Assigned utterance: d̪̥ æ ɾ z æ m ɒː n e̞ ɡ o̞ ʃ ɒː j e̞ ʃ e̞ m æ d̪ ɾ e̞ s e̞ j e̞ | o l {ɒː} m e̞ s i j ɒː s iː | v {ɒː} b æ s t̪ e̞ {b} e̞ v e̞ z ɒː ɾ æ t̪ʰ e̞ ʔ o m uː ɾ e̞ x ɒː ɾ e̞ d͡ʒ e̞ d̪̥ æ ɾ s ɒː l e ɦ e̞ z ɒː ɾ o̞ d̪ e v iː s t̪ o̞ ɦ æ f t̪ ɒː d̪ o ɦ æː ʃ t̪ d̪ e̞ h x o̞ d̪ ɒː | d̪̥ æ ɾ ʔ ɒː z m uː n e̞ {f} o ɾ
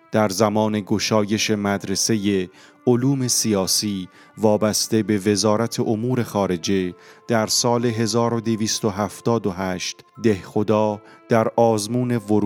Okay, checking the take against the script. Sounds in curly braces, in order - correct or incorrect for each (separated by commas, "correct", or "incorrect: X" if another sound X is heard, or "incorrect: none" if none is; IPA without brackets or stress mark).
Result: incorrect: uː, correct, correct, incorrect: v